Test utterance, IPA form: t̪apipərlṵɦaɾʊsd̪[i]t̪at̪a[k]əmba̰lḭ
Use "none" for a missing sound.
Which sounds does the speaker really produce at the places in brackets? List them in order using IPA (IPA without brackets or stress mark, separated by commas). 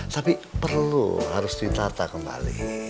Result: i, k